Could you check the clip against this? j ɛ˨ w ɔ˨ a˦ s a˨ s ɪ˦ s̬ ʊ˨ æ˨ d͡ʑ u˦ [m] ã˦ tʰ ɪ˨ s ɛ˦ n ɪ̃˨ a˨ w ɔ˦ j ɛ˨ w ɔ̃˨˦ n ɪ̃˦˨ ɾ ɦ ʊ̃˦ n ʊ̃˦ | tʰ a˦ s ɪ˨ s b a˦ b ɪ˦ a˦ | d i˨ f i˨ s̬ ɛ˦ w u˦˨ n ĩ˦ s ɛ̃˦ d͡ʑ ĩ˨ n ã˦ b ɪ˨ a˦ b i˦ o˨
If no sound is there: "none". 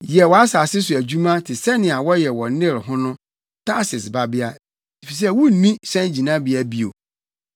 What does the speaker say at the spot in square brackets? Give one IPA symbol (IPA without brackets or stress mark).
m